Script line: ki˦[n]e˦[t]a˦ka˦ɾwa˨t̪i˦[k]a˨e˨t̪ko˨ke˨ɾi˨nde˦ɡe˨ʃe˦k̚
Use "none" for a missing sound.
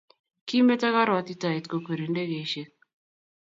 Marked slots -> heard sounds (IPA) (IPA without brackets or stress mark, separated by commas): m, t, t